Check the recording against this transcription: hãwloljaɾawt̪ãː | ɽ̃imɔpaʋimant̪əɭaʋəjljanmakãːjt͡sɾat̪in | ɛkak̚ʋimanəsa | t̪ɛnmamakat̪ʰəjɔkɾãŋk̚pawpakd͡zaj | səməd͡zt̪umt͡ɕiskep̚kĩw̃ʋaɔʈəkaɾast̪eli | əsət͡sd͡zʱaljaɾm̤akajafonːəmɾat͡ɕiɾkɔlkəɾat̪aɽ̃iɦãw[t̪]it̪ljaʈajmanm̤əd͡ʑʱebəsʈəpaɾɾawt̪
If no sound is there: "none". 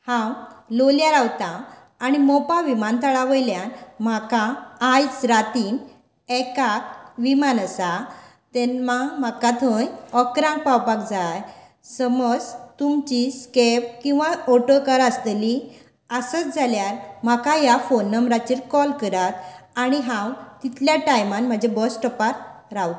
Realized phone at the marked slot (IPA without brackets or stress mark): t̪